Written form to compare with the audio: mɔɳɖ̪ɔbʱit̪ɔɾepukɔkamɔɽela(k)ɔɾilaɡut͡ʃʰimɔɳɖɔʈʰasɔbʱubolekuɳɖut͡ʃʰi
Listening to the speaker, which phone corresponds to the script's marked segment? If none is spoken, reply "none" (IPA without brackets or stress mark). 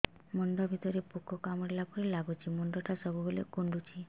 p